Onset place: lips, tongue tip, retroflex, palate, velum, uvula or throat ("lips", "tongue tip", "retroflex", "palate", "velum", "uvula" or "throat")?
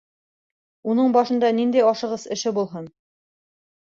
tongue tip